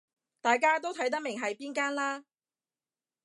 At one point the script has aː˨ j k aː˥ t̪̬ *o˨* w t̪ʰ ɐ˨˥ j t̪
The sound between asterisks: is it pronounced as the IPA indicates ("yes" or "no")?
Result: no